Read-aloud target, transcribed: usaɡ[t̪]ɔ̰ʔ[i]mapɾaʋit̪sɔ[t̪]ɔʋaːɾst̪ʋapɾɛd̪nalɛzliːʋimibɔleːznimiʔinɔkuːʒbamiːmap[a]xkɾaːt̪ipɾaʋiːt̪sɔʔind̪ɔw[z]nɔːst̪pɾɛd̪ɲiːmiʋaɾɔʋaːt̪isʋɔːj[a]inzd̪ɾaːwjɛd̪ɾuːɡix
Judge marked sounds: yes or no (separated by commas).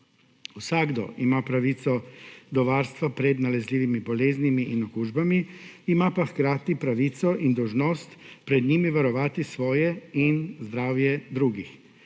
no, yes, no, yes, no, no